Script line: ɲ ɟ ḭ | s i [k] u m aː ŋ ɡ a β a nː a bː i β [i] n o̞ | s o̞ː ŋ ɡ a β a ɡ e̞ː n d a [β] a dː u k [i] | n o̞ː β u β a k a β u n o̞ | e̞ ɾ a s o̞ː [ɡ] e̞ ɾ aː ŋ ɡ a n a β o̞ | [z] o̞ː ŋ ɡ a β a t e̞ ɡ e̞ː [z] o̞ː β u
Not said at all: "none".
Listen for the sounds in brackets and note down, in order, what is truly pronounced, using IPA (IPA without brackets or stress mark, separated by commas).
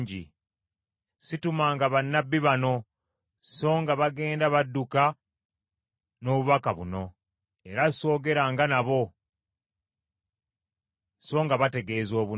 t, a, β, a, ɡ, s, z